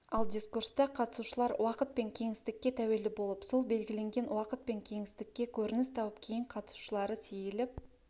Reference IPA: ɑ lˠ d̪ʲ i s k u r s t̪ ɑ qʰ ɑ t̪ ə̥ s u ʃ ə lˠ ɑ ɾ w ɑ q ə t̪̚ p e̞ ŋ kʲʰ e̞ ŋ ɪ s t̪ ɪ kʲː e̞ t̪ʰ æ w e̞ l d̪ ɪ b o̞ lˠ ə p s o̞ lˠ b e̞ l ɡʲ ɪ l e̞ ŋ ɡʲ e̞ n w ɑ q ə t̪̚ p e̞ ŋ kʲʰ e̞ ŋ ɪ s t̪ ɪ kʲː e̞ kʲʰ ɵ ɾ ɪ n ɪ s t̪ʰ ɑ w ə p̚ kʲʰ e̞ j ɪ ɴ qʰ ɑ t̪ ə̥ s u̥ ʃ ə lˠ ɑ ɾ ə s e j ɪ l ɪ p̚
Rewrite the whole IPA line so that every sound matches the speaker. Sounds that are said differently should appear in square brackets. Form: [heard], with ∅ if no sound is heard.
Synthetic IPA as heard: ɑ lˠ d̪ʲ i s k u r s t̪ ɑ qʰ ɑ t̪ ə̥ s u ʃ ə lˠ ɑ ɾ w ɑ q ə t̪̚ p e̞ ŋ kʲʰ e̞ ŋ ɪ s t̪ ɪ kʲː e̞ t̪ʰ æ w e̞ l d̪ ɪ b o̞ lˠ ə p s o̞ lˠ b e̞ l ɡʲ ɪ l e̞ ŋ ɡʲ e̞ n w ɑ q ə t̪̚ p e̞ ŋ kʲʰ e̞ ŋ ɪ s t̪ ɪ kʲː e̞ kʲʰ ɵ ɾ ɪ n ɪ s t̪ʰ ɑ w ə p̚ kʲʰ e̞ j ɪ ɴ qʰ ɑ t̪ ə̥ s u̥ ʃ ə lˠ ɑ ɾ ə s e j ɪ l ɪ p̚

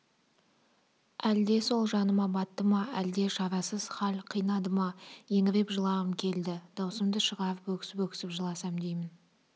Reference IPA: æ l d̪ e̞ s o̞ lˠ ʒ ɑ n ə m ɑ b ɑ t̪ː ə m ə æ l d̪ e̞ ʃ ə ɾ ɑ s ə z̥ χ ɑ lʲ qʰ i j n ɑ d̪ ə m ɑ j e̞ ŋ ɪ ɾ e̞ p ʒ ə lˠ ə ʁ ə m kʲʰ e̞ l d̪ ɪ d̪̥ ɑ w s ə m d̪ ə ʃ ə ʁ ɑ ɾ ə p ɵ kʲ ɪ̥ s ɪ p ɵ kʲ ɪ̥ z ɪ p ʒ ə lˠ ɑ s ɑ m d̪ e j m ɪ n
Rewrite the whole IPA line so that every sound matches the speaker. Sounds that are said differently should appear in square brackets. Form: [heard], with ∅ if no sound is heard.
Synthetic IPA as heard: æ l d̪ e̞ s o̞ lˠ ʒ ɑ n ə m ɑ b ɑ t̪ː ə m [ɑ] æ l d̪ e̞ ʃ [ɑ] ɾ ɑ s ə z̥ χ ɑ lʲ qʰ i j n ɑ d̪ ə m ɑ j e̞ ŋ ɪ ɾ e̞ p ʒ ə lˠ [ɑ] ʁ ə m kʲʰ e̞ l d̪ ɪ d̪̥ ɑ w s ə m d̪ ə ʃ ə ʁ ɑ ɾ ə p ɵ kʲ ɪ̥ s ɪ p ɵ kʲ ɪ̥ [s] ɪ p ʒ ə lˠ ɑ s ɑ m d̪ e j m ɪ n

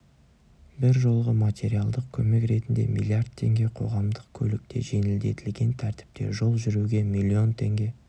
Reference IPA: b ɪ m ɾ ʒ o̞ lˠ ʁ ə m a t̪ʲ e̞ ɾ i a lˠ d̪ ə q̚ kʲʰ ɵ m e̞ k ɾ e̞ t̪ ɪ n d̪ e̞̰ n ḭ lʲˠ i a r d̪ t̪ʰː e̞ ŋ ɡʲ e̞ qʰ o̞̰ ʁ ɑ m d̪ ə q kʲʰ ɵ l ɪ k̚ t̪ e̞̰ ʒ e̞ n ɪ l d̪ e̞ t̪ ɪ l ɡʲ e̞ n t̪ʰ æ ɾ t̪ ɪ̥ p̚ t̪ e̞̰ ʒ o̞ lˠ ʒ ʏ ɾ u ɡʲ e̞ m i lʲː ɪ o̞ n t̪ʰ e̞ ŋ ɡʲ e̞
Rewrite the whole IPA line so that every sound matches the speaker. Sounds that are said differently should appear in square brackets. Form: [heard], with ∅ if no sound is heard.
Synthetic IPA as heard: b ɪ [∅] ɾ ʒ o̞ lˠ ʁ ə m a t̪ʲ e̞ ɾ i a lˠ d̪ ə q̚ kʲʰ ɵ m e̞ k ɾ e̞ t̪ ɪ n d̪ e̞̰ [m] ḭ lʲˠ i a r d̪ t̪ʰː e̞ ŋ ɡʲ e̞ qʰ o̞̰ ʁ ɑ m d̪ ə q kʲʰ ɵ l ɪ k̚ t̪ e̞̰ ʒ e̞ n ɪ l d̪ e̞ t̪ ɪ l ɡʲ e̞ n t̪ʰ æ ɾ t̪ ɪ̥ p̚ t̪ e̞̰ ʒ o̞ lˠ ʒ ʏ ɾ u ɡʲ e̞ m i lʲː [i] o̞ n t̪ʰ e̞ ŋ ɡʲ e̞

